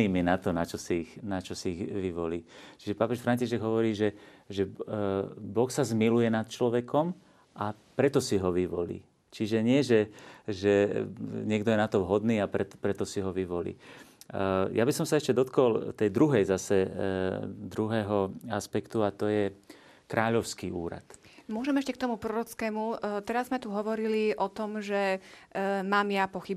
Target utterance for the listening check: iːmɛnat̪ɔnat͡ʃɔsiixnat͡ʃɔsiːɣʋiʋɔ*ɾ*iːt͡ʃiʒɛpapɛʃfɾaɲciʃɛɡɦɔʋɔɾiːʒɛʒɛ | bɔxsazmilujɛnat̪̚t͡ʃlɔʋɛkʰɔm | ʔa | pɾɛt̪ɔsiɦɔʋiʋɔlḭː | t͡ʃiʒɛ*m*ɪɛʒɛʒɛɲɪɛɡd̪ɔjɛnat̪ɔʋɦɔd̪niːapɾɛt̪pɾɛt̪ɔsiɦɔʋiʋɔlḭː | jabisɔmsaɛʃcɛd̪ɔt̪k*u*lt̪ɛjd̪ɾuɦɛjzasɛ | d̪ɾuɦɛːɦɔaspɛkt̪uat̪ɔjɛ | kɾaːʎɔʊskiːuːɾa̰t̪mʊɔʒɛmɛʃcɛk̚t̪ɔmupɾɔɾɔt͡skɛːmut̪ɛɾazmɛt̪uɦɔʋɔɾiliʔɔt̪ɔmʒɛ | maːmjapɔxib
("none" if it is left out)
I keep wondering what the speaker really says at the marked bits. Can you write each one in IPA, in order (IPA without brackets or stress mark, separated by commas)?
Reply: l, ɲ, ɔ